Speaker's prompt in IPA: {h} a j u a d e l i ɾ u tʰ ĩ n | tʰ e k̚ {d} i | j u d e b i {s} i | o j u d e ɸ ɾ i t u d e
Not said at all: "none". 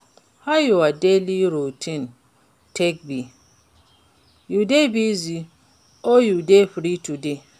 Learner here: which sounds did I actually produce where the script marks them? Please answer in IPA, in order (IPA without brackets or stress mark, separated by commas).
h, b, z